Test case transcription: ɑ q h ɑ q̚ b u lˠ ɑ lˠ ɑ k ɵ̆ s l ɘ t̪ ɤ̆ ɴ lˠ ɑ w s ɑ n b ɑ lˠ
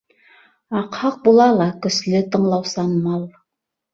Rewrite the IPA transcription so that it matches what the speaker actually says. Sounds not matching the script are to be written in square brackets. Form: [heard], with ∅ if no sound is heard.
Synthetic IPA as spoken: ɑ q h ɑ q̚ b u lˠ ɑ lˠ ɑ k ɵ̆ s l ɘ t̪ ɤ̆ ɴ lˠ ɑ w s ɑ n [m] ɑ lˠ